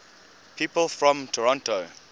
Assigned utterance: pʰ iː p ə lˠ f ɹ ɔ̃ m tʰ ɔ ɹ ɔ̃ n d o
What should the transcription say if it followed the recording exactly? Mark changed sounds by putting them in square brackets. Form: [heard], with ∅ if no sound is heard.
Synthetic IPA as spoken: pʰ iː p ə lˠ f ɹ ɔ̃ m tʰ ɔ ɹ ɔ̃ n [t] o